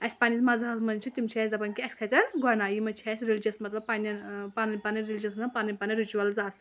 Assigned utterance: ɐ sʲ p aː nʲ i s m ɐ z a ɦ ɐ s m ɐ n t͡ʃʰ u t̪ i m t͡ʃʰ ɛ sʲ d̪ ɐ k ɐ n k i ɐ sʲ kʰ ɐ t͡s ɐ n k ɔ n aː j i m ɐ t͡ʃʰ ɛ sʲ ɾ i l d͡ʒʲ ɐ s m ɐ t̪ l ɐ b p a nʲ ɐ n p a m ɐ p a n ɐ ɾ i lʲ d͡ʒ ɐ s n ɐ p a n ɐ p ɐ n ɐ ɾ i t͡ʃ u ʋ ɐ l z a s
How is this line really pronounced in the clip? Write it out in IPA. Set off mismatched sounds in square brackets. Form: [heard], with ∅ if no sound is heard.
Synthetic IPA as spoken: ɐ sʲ p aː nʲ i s m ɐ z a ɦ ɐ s m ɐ n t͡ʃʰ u t̪ i m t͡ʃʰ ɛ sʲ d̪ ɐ [p] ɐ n k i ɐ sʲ kʰ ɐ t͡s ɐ n [ɡ] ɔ n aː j i m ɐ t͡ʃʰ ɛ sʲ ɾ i l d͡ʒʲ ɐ s m ɐ t̪ l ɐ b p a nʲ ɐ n p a [n] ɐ p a n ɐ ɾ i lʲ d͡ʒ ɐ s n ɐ p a n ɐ p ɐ n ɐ ɾ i t͡ʃ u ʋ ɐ l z a s

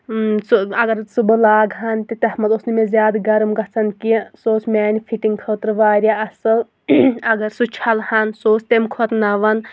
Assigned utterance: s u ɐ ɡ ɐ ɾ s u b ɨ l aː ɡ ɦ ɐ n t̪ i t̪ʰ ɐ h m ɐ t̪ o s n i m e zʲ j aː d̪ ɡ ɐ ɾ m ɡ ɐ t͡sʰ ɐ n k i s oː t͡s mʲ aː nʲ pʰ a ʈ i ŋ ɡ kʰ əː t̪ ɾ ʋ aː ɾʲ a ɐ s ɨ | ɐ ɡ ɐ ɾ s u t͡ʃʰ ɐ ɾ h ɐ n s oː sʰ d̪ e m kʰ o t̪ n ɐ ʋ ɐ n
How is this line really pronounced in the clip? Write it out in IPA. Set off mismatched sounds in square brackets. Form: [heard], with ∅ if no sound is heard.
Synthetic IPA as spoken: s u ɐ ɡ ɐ ɾ s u b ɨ l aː ɡ ɦ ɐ n t̪ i [t̪] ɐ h m ɐ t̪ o s n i m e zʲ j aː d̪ ɡ ɐ ɾ m ɡ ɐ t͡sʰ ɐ n k i s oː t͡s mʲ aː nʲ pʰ [i] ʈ i ŋ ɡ kʰ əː t̪ ɾ ʋ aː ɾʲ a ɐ s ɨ | ɐ ɡ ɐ ɾ s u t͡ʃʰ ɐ [l] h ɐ n s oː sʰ [t̪] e m kʰ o t̪ n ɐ ʋ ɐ n

